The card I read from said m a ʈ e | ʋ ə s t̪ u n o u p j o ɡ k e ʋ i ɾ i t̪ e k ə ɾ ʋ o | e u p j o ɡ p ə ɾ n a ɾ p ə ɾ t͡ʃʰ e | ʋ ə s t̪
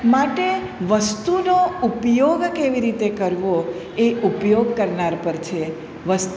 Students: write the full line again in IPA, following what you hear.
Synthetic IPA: m a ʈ e | ʋ ə s t̪ u n o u p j o ɡ k e ʋ i ɾ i t̪ e k ə ɾ ʋ o | e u p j o ɡ k ə ɾ n a ɾ p ə ɾ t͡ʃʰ e | ʋ ə s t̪

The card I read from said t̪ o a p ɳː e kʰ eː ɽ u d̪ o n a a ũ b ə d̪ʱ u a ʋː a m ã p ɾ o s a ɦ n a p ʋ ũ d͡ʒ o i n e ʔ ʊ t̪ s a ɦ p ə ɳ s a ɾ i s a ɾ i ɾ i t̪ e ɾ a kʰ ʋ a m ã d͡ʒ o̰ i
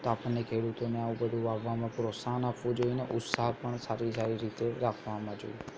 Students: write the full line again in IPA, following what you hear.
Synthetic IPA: t̪ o a p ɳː e kʰ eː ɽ u t̪ o n e a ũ b ə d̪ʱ u a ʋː a m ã p ɾ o s a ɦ n a p ʋ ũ d͡ʒ o i n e ʔ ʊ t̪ s a ɦ p ə ɳ s a ɾ i s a ɾ i ɾ i t̪ e ɾ a kʰ ʋ a m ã d͡ʒ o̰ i

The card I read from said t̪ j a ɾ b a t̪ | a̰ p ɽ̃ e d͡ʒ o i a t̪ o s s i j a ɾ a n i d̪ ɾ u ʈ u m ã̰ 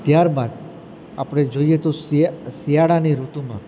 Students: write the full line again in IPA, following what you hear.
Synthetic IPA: t̪ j a ɾ b a d̪ | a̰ p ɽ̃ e d͡ʒ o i e t̪ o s s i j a ɽ a n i ɾ u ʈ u m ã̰

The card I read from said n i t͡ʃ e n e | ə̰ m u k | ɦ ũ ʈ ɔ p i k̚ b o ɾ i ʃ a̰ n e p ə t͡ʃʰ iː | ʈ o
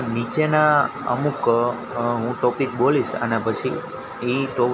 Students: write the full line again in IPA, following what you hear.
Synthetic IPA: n i t͡ʃ e n a | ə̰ m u k | ɦ ũ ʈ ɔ p i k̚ b o l i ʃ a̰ n a p ə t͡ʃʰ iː | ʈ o

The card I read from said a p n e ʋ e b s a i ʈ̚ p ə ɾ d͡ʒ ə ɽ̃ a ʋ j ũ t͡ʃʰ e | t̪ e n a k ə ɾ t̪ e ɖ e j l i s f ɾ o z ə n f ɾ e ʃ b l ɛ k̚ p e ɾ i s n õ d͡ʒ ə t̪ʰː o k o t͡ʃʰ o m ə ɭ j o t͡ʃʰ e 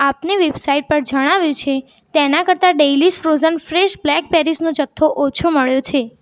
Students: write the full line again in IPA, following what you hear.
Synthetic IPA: a p n e ʋ e b s a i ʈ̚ p ə ɾ d͡ʒ ə ɽ̃ a ʋ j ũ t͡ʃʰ e | t̪ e n a k ə ɾ t̪ a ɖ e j l i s f ɾ o z ə n f ɾ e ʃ b l ɛ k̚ p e ɾ i s n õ d͡ʒ ə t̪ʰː o ʔ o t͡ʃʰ o m ə ɭ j o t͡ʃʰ e

